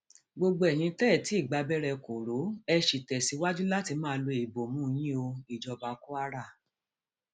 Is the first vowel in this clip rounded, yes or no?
yes